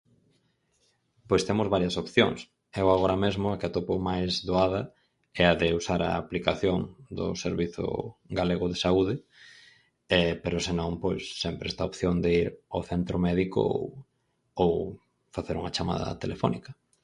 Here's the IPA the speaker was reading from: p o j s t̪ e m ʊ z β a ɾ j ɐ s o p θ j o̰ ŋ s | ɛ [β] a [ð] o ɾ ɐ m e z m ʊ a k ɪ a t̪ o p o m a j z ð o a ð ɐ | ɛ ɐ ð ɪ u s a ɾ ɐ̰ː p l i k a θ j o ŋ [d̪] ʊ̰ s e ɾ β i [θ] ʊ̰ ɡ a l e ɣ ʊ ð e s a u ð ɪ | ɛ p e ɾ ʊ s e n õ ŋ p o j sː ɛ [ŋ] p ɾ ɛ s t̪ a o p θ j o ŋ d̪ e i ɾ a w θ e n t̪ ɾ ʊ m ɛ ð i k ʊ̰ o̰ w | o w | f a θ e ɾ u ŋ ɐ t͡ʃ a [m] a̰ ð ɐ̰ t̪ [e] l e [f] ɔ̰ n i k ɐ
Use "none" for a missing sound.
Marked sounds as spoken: w, ɣ, d̪, θ, m, m, e, f

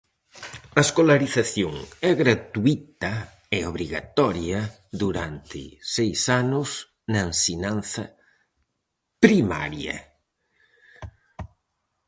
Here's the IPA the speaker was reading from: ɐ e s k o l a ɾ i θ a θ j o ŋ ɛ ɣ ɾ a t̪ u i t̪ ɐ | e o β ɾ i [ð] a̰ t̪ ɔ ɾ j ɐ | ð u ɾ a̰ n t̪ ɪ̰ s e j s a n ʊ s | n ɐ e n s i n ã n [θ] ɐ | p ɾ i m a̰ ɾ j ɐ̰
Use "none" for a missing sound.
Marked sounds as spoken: ɣ, θ

